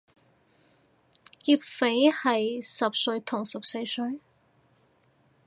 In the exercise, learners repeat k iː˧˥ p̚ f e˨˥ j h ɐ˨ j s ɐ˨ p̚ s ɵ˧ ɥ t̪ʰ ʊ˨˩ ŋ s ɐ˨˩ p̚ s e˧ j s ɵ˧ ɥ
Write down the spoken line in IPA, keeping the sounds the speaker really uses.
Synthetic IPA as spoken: k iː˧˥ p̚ f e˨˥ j h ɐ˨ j s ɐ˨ p̚ s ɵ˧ ɥ t̪ʰ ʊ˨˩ ŋ s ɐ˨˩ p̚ s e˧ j s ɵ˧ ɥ